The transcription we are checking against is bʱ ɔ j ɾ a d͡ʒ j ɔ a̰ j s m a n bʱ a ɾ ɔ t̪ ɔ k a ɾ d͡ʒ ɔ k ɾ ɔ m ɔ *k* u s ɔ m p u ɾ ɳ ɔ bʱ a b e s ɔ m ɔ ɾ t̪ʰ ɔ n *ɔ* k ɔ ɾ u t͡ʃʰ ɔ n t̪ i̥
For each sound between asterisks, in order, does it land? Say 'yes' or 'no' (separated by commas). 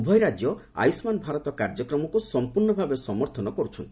yes, yes